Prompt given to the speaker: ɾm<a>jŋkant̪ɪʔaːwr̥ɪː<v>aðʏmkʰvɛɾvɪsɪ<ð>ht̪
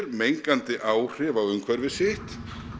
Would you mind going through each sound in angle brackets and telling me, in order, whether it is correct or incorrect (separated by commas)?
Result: incorrect, correct, incorrect